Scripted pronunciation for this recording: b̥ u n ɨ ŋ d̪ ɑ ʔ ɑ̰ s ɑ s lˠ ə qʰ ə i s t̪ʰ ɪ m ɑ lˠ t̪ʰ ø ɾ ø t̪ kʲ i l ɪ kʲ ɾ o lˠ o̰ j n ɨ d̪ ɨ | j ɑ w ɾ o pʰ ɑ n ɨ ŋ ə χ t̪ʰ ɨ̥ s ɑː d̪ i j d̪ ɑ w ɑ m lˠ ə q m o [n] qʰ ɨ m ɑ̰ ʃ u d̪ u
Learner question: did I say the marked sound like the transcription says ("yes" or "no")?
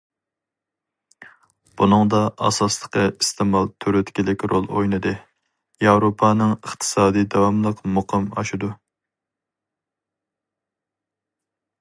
no